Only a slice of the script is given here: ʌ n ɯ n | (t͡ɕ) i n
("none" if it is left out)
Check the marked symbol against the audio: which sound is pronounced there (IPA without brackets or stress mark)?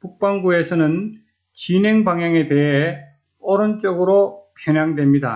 t͡ɕ